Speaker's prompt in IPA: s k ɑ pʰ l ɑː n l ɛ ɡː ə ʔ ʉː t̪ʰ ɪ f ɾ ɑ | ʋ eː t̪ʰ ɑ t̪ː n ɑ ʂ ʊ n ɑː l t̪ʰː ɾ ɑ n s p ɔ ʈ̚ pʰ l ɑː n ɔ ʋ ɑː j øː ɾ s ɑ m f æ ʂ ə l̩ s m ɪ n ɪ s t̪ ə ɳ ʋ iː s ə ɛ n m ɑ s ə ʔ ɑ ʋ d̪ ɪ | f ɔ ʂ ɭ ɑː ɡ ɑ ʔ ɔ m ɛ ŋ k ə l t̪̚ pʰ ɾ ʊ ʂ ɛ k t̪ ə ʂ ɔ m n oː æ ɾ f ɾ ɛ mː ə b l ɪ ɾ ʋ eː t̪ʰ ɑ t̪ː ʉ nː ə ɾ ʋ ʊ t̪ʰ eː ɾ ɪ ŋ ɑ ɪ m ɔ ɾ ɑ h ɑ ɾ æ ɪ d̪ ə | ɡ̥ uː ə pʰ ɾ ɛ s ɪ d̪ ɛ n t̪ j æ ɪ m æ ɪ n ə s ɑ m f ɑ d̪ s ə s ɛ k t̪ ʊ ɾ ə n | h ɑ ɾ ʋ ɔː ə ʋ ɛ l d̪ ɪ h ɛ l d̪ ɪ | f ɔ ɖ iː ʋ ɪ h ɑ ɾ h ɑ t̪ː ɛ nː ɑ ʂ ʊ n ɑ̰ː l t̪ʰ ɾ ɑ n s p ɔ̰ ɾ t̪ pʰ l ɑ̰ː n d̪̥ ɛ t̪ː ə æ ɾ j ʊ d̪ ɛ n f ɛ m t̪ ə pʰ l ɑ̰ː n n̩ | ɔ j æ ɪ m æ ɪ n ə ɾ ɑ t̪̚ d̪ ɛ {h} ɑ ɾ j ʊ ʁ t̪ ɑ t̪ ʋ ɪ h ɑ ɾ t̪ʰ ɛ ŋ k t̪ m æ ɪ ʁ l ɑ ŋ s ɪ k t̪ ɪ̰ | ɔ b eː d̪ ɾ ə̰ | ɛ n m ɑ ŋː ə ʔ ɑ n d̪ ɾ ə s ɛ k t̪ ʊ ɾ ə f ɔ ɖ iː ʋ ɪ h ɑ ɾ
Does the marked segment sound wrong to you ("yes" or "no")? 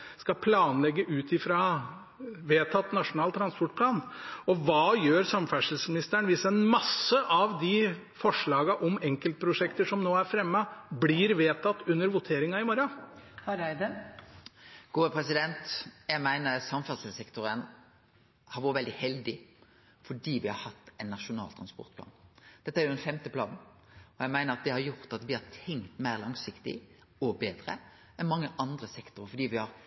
no